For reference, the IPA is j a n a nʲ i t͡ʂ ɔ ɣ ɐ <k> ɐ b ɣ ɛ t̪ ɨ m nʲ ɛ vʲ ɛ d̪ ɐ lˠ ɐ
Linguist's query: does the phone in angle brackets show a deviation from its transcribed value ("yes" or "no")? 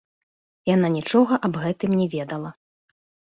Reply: yes